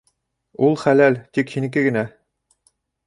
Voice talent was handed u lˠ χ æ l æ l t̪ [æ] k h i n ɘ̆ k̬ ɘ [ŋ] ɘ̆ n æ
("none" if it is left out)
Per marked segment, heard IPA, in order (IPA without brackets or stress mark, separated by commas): i, ɡ